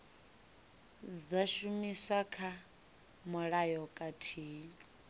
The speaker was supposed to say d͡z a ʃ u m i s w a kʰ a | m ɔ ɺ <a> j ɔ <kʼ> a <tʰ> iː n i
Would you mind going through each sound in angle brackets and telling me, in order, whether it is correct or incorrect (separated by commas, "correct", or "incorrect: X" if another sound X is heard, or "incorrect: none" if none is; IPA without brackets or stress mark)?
correct, correct, correct